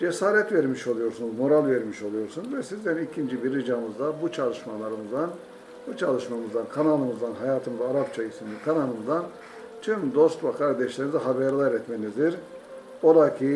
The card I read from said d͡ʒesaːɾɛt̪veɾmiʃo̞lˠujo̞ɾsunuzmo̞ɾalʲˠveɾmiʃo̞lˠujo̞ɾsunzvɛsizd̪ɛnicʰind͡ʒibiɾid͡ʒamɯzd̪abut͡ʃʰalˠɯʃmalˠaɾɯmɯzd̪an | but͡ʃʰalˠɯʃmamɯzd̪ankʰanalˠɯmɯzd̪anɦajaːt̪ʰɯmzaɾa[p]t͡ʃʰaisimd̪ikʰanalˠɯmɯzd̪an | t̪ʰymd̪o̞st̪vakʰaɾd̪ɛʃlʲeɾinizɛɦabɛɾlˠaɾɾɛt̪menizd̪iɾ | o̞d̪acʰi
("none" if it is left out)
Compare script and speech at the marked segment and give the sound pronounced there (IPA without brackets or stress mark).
p